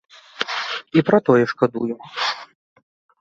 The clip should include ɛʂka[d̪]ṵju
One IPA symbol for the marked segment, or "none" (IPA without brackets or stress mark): d̪